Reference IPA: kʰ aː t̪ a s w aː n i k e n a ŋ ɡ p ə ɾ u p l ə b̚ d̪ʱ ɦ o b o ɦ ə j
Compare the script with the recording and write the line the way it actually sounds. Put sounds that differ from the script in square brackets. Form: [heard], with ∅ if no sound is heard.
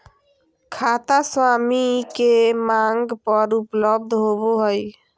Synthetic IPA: kʰ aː t̪ a s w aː [m] i k e [m] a ŋ ɡ p ə ɾ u p l ə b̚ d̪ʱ ɦ o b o ɦ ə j